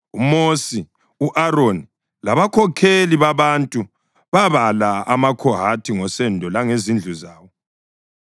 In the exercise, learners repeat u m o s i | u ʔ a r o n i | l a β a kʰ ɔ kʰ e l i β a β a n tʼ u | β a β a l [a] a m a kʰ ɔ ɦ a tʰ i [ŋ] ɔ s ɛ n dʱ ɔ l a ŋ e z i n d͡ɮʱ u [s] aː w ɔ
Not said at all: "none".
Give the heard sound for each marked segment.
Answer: a, ŋ, z

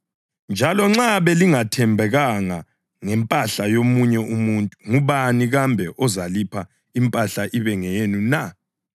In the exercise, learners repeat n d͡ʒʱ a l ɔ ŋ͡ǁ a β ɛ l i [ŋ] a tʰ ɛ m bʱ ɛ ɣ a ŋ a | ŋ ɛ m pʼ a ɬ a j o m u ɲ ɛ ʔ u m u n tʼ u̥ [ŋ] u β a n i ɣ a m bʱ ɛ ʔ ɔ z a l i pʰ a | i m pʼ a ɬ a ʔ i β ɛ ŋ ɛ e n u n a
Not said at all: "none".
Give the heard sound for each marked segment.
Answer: ŋ, ŋ

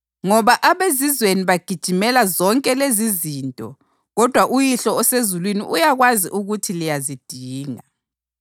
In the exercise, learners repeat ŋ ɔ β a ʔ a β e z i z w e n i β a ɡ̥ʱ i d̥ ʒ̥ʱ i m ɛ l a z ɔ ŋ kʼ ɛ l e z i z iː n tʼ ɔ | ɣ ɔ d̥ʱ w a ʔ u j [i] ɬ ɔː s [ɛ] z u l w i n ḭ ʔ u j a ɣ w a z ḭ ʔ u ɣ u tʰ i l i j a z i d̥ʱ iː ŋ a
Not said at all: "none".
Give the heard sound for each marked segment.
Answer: i, e

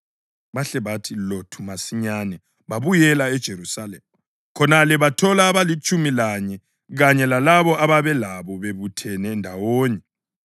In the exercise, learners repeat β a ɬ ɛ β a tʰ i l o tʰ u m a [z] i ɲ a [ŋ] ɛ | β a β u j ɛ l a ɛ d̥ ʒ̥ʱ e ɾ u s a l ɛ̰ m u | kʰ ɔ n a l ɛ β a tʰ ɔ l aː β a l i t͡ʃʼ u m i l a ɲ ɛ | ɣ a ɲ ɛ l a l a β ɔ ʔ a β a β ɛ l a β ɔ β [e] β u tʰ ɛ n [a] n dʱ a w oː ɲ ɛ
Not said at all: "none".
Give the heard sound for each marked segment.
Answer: s, n, e, ɛ

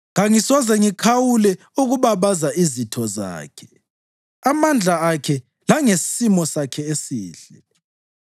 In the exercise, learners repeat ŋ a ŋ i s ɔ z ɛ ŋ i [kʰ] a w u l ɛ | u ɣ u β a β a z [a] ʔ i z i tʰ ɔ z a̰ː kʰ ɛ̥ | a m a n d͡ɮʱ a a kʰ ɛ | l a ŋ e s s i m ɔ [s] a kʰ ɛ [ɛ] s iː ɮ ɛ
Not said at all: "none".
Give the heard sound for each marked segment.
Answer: kʰ, a, s, e

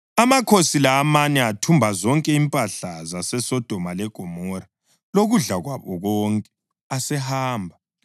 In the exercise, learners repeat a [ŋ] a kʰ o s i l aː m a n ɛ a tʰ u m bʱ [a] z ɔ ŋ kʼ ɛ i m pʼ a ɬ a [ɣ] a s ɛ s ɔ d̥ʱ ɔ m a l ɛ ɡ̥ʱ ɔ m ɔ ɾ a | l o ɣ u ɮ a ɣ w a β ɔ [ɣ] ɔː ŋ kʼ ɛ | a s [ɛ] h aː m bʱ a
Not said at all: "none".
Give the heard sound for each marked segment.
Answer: m, a, z, ɣ, ɛ

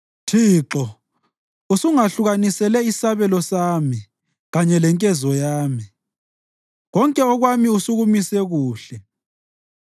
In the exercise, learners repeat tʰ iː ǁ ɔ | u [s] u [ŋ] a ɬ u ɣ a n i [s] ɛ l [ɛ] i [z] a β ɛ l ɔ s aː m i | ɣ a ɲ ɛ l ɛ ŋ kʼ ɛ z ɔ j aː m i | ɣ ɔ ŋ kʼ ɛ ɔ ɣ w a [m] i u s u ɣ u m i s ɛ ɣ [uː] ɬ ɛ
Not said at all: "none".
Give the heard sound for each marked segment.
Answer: s, ŋ, s, ɛ, s, m, uː

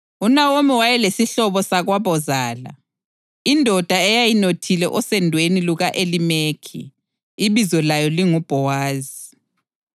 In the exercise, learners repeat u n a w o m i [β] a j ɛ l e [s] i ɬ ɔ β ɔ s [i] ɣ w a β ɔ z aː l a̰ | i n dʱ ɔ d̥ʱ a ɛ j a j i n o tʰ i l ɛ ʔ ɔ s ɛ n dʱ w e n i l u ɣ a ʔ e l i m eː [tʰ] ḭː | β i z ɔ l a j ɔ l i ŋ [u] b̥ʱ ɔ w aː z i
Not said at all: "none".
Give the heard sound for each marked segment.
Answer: w, s, a, kʰ, u

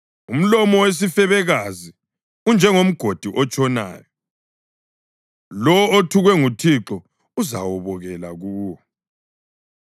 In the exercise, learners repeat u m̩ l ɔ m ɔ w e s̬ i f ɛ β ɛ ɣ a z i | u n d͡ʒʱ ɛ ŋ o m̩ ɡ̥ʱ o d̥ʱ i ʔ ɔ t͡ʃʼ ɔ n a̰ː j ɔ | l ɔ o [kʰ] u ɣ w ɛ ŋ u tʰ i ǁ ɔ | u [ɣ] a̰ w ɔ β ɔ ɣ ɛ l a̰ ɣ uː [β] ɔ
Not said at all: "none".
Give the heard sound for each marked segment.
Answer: tʰ, z, w

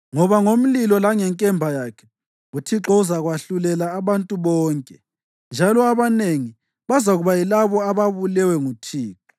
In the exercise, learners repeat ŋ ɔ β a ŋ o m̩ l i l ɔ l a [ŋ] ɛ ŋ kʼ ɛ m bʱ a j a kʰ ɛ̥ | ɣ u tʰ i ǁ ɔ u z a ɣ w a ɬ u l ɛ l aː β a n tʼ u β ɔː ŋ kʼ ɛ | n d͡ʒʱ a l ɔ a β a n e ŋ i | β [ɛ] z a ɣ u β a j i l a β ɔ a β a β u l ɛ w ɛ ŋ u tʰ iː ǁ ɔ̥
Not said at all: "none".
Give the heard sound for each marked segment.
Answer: ŋ, a

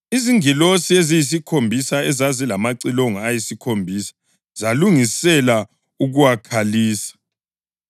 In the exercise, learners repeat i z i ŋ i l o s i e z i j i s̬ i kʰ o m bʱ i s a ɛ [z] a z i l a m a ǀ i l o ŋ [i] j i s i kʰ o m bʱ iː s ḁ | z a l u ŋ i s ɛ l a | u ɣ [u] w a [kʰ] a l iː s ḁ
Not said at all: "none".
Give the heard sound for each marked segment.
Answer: z, a, u, kʰ

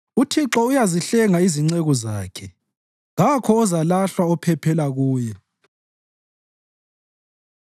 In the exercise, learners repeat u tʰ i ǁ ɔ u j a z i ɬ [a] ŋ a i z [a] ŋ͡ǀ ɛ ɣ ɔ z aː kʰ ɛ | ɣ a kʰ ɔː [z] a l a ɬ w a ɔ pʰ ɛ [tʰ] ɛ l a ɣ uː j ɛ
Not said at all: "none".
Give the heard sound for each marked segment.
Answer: ɛ, i, z, pʰ

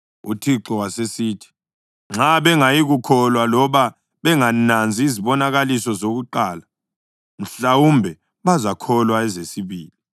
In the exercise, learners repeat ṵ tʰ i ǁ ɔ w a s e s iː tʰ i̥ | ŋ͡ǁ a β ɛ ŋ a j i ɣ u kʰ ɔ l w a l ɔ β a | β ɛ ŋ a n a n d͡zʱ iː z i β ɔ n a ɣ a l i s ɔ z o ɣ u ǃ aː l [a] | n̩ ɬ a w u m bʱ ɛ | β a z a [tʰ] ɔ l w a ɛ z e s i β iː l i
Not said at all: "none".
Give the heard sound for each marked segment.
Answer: a, kʰ

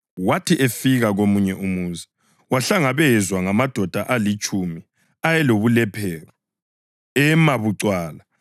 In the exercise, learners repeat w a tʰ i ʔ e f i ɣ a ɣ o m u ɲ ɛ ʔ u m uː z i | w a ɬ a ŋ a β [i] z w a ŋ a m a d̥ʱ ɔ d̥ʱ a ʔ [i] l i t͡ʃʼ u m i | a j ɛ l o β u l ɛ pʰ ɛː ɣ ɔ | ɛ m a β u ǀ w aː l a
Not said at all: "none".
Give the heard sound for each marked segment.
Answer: ɛ, a

